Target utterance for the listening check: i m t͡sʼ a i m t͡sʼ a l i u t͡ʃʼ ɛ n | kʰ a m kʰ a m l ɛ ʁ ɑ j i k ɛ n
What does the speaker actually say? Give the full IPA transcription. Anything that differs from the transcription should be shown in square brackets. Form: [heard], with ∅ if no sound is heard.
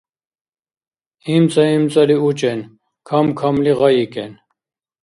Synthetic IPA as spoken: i m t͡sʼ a i m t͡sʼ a l i u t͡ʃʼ ɛ n | kʰ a m kʰ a m l [i] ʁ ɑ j i k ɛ n

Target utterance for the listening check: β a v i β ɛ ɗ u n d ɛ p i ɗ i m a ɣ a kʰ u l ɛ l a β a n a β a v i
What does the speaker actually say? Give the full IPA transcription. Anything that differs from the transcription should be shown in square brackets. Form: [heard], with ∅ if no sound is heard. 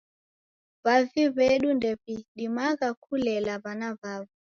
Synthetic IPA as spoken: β a v i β ɛ ɗ u n d ɛ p i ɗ i m a ɣ a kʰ u l ɛ l a β a n a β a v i

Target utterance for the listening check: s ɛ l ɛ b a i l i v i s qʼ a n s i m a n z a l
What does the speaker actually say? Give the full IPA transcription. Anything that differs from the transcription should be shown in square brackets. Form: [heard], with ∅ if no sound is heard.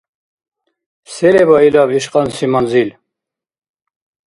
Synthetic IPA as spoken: s ɛ l ɛ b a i l [a] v i [ʃ] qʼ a n s i m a n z [i] l

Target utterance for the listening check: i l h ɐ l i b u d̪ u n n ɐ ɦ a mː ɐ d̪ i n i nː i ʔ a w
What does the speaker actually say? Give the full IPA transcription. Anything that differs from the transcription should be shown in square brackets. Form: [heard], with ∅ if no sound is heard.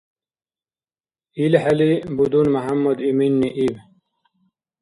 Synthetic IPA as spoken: i l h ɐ l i b u d̪ u n [m] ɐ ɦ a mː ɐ d̪ i [m] i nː i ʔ [i] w

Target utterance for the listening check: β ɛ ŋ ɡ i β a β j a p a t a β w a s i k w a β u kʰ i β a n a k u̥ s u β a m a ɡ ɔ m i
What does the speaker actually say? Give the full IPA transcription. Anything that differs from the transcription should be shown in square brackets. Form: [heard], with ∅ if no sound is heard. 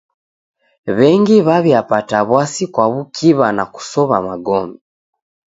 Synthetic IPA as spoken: β ɛ ŋ ɡ i β a β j a p a t a β w a s i k w a β u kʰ i β a n a k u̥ s [ɔ] β a m a ɡ ɔ m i

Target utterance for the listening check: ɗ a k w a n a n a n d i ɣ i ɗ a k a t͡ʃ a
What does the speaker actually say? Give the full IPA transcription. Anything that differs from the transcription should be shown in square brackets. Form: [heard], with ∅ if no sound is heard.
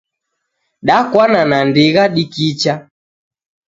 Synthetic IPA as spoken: ɗ a k w a n a n a n d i ɣ [a] ɗ [i] k [i] t͡ʃ a

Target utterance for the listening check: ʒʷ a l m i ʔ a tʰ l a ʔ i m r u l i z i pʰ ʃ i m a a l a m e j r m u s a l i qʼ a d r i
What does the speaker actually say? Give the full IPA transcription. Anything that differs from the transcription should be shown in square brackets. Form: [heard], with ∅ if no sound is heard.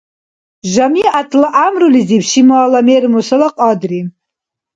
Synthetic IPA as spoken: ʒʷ a [∅] m i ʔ a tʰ l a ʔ [a] m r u l i z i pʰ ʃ i m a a l a m e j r m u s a l [a] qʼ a d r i

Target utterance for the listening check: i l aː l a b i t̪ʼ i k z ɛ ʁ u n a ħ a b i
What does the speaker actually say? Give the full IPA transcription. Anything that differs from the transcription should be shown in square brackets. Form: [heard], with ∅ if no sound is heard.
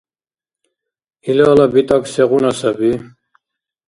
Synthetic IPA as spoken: i l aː l a b i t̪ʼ [a] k [s] ɛ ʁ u n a [s] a b i

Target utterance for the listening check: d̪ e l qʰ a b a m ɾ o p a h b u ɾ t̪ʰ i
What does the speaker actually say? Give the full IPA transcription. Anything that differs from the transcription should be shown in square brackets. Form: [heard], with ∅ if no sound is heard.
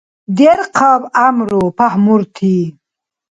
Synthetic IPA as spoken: d̪ e [ɾ] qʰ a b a m ɾ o p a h [m] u ɾ t̪ʰ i

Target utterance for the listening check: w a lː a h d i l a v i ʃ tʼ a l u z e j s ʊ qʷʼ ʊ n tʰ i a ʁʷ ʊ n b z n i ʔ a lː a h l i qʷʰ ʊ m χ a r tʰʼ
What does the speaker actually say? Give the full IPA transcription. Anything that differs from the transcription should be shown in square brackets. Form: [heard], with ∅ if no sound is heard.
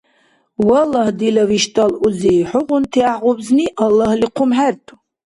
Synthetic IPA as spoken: w a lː a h d i l a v i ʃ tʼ a l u z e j [ħ] ʊ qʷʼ ʊ n tʰ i a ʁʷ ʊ [∅] b z n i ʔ a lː a h l i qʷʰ ʊ m [ħ] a r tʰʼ

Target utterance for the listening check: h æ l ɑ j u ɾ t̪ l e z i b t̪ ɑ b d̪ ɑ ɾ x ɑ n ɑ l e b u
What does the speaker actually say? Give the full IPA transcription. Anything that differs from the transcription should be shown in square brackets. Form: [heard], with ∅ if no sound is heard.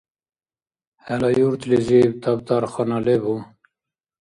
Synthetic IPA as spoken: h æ l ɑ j u ɾ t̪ l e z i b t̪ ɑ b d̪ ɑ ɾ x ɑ n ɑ l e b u

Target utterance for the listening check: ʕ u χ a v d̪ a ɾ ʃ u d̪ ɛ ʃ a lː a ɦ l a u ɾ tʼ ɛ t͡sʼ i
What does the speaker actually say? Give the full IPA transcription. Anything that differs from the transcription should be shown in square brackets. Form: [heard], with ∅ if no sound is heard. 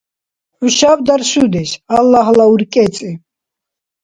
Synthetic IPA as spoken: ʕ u [ʃ] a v d̪ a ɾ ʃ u d̪ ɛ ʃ a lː a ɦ l a u ɾ [kʼ] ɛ t͡sʼ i

